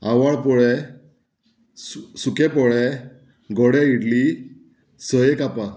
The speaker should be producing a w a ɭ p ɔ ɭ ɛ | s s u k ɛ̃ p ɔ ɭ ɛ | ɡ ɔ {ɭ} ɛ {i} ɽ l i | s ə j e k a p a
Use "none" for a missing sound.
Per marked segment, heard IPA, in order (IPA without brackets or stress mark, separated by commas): ɽ, i